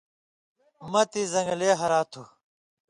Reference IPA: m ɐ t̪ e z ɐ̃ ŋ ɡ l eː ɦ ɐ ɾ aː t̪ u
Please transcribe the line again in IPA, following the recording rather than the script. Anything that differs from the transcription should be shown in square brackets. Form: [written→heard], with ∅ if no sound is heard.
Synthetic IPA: m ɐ t̪ [e→i] z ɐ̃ ŋ ɡ l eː ɦ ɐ ɾ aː [t̪→t̪ʰ] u